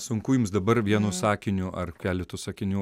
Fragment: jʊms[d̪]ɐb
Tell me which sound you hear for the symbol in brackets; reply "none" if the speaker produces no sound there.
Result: d̪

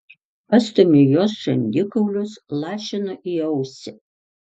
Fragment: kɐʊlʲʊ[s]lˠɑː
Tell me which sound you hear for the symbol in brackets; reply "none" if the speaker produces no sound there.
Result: s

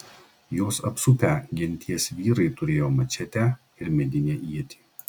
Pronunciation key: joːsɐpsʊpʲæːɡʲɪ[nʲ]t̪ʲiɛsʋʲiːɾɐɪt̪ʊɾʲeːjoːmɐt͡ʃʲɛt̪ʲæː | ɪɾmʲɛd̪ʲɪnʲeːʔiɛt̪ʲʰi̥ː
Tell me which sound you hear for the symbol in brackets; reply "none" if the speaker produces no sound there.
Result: nʲ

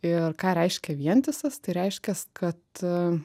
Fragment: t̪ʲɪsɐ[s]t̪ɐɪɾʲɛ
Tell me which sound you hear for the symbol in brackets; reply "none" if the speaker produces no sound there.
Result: s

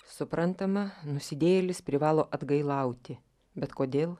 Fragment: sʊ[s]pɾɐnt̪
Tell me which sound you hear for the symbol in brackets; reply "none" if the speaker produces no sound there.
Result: none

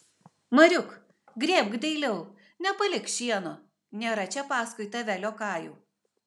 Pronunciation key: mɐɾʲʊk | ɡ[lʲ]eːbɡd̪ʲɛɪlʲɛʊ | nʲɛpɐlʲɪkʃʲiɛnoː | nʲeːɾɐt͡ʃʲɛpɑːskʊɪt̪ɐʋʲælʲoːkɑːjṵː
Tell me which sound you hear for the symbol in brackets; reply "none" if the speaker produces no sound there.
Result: ɾʲ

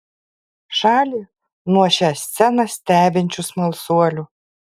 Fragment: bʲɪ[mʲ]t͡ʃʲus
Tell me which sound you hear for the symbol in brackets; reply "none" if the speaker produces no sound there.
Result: nʲ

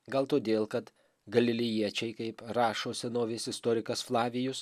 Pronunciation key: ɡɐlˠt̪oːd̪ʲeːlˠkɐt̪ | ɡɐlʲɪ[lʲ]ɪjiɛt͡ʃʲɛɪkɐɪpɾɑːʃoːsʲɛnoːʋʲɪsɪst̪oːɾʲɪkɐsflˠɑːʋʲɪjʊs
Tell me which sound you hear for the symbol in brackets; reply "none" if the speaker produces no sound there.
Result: lʲ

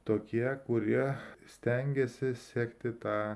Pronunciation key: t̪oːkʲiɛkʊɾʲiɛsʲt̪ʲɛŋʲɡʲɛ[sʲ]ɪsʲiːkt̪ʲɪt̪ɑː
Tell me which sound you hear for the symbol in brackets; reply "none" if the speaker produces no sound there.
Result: sʲ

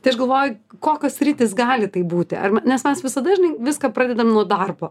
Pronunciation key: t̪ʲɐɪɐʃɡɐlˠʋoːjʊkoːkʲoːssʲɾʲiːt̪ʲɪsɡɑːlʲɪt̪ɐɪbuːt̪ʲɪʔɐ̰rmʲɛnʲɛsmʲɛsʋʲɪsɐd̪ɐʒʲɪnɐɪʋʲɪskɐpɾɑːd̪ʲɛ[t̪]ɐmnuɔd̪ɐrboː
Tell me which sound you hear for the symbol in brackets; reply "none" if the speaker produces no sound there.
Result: d̪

